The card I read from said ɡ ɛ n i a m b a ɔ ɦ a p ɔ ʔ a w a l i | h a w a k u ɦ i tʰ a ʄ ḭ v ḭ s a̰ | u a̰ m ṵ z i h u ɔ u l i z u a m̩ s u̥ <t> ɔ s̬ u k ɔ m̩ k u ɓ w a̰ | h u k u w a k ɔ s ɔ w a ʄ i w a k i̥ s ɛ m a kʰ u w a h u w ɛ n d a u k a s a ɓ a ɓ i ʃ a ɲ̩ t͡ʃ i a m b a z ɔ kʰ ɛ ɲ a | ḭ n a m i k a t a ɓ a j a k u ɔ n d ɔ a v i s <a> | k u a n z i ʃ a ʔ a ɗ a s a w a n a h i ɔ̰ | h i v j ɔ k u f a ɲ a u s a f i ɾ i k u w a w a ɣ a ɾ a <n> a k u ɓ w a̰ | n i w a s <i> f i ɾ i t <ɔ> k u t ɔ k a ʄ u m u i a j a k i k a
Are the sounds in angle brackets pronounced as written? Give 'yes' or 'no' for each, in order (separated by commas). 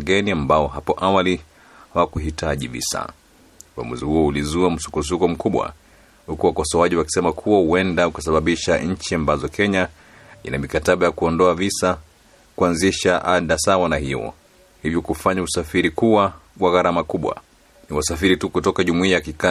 no, yes, no, no, no